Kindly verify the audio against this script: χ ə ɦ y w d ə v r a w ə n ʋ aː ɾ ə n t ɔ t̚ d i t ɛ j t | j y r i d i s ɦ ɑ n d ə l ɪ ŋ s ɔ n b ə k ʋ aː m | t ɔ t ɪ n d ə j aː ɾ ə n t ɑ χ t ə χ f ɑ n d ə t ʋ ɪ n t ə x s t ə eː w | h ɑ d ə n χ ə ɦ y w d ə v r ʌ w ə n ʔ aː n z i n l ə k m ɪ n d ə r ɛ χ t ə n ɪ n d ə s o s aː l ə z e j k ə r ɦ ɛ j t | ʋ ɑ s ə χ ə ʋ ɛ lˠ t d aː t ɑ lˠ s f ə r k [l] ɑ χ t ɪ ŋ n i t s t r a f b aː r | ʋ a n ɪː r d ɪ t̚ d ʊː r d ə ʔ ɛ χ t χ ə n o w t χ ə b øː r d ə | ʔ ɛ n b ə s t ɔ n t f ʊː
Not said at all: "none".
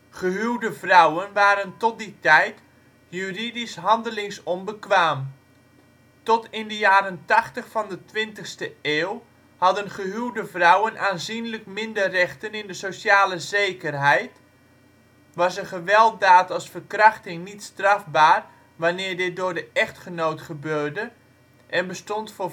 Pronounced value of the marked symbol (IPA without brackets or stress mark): r